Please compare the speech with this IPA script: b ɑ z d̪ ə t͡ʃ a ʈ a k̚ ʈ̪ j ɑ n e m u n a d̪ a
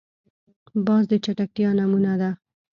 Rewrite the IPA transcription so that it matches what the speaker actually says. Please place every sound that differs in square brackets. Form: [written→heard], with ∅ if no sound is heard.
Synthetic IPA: b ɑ z d̪ ə t͡ʃ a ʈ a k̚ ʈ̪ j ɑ n [e→a] m u n a d̪ a